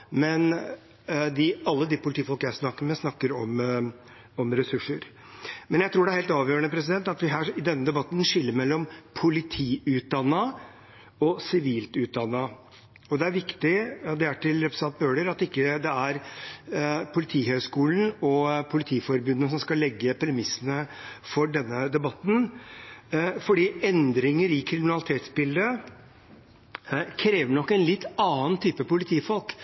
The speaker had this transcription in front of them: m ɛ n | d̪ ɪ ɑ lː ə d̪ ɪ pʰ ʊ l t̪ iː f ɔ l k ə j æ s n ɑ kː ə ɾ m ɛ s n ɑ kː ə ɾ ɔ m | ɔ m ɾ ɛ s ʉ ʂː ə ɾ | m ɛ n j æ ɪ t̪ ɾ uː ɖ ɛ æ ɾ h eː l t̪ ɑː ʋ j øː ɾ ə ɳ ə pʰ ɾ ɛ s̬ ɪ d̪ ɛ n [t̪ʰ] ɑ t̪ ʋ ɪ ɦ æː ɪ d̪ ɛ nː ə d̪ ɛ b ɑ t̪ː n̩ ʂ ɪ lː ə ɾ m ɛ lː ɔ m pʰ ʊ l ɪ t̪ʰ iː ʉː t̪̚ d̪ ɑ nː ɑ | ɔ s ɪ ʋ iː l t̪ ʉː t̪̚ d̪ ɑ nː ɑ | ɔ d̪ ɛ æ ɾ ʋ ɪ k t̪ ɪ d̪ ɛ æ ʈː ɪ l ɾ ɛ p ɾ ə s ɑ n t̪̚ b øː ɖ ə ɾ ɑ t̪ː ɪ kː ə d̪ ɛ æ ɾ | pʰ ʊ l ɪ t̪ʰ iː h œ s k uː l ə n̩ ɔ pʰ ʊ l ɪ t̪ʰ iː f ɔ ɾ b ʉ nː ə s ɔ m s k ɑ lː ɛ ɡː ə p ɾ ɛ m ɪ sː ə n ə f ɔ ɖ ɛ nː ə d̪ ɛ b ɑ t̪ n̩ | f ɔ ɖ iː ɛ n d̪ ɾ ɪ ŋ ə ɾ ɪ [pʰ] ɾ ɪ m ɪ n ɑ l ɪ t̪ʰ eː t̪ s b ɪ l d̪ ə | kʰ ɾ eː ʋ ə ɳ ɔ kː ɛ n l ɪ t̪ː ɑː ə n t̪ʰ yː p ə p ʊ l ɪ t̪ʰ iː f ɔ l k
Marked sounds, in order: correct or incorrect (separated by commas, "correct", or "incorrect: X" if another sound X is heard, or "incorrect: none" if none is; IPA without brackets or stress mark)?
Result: incorrect: t̪, incorrect: kʰ